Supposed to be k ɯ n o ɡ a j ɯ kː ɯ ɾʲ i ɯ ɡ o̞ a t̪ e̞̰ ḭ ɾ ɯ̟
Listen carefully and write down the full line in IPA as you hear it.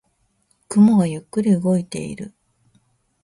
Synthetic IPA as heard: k ɯ m o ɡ a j ɯ kː ɯ ɾʲ i ɯ ɡ o̞ i t̪ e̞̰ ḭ ɾ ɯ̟